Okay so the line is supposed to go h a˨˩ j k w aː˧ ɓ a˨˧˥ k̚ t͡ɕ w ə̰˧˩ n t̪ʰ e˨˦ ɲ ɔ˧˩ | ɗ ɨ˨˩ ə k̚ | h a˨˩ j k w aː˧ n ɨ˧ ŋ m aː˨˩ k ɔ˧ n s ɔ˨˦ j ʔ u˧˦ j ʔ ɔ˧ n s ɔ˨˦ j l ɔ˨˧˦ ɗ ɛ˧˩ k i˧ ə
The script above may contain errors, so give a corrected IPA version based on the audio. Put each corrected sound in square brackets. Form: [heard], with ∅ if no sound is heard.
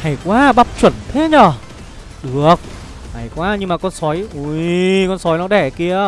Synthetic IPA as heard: h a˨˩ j k w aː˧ ɓ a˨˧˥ [p̚] t͡ɕ w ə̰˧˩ n t̪ʰ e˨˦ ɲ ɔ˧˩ | ɗ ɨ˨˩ ə k̚ | h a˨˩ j k w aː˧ [ɲ] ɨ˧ ŋ m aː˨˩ k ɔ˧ n s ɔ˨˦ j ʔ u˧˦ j [k] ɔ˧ n s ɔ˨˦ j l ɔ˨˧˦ ɗ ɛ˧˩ k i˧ ə